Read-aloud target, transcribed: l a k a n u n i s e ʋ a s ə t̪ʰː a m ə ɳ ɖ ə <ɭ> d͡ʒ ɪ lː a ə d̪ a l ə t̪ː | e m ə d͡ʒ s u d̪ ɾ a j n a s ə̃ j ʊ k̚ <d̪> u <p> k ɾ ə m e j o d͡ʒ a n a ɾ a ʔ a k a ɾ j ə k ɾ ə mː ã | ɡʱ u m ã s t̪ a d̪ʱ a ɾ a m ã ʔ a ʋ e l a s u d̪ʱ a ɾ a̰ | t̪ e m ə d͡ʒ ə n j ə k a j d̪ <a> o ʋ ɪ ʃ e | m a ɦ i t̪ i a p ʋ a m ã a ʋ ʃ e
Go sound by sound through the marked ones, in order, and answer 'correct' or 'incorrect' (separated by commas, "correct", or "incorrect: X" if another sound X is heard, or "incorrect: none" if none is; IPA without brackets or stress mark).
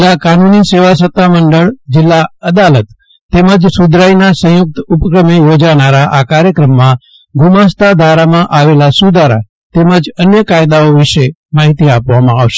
correct, incorrect: t̪, correct, correct